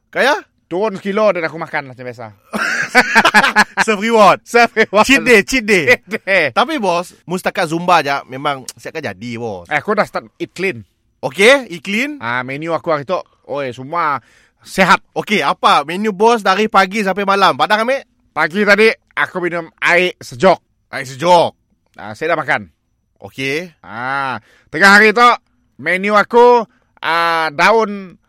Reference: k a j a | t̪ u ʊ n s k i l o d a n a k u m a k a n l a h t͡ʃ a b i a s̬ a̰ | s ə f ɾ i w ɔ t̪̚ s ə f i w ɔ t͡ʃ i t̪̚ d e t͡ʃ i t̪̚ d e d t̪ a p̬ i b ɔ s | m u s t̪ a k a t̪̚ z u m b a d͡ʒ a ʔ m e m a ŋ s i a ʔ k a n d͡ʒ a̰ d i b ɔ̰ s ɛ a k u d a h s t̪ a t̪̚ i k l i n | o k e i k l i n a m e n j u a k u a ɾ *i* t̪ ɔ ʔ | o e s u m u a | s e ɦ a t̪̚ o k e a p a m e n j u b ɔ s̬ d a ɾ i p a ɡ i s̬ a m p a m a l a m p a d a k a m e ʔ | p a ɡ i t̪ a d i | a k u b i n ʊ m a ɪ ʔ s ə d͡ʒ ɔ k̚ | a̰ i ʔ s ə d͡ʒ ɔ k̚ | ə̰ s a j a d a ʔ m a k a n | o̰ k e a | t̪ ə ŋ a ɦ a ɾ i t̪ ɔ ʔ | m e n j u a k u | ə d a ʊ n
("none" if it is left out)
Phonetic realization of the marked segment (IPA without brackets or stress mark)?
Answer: i